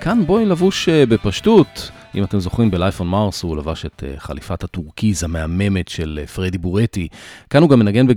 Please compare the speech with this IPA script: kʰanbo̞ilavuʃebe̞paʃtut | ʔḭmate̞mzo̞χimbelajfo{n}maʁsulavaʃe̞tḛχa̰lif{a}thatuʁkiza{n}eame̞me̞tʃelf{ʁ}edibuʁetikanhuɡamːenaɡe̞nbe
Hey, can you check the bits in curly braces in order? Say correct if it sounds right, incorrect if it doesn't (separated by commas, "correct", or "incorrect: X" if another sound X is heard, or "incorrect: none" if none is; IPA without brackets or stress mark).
correct, correct, incorrect: m, correct